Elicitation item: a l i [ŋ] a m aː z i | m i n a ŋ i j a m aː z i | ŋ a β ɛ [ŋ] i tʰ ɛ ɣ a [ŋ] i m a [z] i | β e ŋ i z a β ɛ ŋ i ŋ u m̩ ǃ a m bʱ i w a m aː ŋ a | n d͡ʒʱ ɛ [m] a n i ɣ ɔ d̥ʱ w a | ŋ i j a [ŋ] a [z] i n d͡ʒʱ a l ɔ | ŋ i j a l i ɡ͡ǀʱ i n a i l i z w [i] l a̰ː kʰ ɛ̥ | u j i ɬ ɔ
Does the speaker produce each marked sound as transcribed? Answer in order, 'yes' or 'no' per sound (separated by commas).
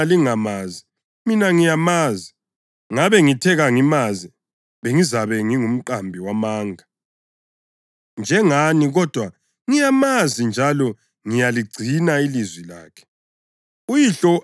yes, yes, yes, yes, no, no, yes, yes